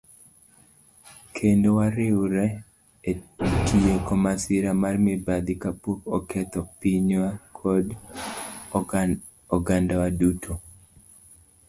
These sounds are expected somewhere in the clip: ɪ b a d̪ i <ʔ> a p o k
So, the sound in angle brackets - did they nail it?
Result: no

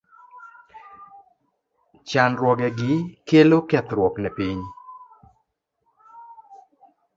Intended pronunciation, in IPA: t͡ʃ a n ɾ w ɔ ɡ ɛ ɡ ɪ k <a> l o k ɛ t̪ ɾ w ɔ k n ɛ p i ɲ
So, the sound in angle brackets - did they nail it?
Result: no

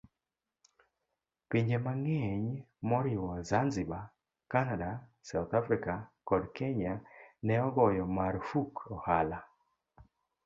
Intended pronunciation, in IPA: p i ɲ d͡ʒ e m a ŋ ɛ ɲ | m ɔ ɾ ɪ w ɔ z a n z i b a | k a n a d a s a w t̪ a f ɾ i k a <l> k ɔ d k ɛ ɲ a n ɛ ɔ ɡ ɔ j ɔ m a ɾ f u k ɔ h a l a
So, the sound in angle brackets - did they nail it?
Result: no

